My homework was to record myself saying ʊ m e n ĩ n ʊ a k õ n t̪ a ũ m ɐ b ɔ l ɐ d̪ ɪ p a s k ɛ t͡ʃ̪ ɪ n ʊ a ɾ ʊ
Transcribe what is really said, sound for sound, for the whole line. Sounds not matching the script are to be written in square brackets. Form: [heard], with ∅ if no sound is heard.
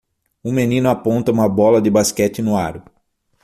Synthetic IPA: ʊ m e n ĩ n ʊ a [p] õ n t̪ [ɐ] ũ m ɐ b ɔ l ɐ d̪ ɪ [b] a s k ɛ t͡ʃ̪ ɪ n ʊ a ɾ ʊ